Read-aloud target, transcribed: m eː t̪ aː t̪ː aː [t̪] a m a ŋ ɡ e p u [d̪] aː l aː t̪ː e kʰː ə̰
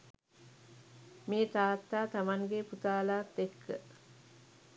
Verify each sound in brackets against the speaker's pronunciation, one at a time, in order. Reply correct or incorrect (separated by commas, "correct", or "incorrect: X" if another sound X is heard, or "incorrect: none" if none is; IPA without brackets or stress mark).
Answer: correct, incorrect: t̪